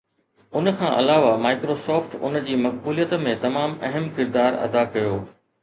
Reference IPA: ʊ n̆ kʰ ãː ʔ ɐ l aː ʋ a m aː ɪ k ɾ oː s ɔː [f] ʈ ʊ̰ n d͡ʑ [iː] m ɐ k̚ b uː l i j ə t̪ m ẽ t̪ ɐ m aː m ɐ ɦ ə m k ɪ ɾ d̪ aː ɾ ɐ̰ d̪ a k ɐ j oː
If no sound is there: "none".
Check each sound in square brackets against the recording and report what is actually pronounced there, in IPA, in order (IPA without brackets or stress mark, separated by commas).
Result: f, iː